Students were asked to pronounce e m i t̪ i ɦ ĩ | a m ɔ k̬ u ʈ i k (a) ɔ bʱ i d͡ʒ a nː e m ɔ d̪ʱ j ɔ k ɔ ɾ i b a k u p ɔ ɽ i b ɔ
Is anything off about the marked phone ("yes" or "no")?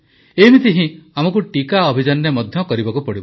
no